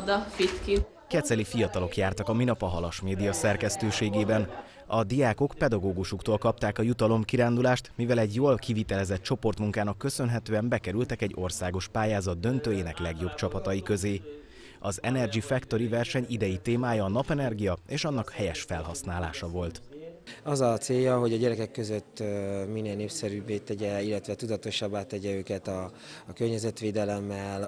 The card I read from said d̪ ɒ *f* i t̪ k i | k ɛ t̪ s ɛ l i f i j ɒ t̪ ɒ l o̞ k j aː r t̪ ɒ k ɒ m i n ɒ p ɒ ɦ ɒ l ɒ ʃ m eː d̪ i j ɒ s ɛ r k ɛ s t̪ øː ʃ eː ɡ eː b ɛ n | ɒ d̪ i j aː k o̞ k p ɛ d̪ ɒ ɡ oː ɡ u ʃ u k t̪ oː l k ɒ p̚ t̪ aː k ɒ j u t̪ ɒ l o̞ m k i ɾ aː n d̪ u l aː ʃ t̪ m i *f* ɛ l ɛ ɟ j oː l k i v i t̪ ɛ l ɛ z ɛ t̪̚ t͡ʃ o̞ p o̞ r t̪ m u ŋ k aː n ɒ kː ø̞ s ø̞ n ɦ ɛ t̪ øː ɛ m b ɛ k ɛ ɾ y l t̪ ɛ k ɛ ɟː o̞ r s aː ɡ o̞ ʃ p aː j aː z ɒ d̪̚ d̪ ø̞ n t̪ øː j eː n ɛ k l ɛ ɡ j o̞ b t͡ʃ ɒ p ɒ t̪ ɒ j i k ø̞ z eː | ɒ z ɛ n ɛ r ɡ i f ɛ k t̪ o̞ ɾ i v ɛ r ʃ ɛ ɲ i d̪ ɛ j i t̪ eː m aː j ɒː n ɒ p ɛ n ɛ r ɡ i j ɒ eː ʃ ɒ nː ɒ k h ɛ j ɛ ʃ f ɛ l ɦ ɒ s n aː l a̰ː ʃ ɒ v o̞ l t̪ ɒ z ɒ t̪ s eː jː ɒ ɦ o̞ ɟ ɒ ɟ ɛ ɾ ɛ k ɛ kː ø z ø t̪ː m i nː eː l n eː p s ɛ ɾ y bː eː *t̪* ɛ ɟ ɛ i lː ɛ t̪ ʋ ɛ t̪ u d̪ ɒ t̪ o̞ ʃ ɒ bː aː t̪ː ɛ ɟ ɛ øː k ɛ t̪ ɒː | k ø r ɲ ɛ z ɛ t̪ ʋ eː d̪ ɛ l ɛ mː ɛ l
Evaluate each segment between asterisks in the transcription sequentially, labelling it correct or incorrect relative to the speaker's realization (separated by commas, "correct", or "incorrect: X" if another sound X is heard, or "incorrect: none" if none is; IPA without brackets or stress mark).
correct, incorrect: v, correct